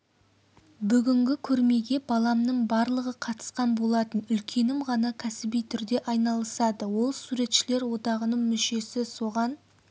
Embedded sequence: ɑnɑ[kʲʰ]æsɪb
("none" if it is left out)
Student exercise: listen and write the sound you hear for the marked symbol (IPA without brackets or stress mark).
kʲʰ